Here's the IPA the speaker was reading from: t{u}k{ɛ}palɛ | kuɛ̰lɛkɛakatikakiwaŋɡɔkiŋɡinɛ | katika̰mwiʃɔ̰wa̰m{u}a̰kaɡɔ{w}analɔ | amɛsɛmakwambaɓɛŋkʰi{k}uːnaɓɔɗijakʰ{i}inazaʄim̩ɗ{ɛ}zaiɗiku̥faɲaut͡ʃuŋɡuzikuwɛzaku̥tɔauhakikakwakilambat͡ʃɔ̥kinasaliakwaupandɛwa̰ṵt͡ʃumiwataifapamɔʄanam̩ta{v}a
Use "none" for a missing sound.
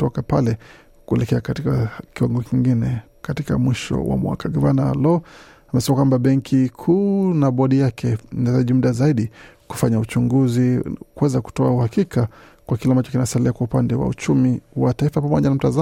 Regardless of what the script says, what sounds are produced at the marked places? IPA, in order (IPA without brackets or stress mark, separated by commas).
ɔ, a, w, v, kʰ, ɛ, a, z